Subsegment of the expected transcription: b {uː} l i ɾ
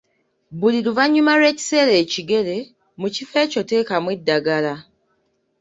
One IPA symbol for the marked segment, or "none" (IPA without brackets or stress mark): u